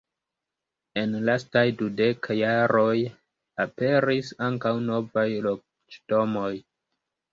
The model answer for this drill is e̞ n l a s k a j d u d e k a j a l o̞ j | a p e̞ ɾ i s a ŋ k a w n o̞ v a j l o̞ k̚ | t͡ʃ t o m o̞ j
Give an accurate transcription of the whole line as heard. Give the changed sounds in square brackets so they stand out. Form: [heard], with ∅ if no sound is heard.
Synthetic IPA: e̞ n l a s [t] a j d u d e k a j a [ɾ] o̞ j | a p e̞ ɾ i s a ŋ k a w n o̞ v a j l o̞ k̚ | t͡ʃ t o m o̞ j

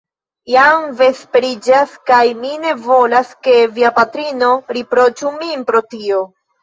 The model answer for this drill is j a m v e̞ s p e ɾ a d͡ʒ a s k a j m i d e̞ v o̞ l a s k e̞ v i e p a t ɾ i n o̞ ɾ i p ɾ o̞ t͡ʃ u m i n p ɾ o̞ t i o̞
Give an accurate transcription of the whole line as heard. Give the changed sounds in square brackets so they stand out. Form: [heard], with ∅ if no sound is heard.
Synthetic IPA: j a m v e̞ s p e ɾ [i] d͡ʒ a s k a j m i [n] e̞ v o̞ l a s k e̞ v i [a] p a t ɾ i n o̞ ɾ i p ɾ o̞ t͡ʃ u m i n p ɾ o̞ t i o̞

